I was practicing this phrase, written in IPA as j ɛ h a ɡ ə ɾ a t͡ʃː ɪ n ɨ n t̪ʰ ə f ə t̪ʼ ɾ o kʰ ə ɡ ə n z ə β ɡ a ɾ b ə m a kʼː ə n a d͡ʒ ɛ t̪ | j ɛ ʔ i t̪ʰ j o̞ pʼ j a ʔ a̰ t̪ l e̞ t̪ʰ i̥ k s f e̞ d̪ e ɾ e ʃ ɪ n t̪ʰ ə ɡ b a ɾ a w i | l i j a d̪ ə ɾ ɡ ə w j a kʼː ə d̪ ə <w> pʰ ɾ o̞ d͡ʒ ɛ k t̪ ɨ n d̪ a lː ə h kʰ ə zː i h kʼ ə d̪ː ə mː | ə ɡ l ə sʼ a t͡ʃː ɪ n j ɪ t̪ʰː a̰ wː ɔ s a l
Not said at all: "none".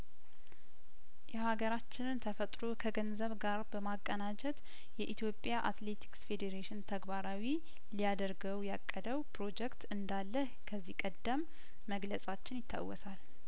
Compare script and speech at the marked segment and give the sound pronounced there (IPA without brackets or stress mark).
w